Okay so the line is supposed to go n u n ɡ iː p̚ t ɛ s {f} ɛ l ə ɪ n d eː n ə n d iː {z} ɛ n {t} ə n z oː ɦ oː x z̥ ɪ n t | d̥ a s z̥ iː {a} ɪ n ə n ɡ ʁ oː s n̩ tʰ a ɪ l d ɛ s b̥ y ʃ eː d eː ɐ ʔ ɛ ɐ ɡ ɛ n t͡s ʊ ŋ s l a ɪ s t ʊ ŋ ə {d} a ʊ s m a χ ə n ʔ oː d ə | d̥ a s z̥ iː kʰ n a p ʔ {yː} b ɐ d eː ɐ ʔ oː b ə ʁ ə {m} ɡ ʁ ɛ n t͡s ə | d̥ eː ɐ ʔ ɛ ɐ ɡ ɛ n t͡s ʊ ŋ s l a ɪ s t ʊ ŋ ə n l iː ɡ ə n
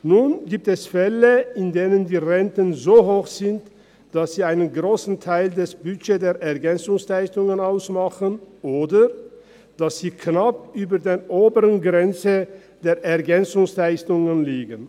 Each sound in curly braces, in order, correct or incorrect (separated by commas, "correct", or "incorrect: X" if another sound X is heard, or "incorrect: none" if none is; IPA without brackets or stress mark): correct, incorrect: ʁ, correct, correct, incorrect: n, correct, incorrect: n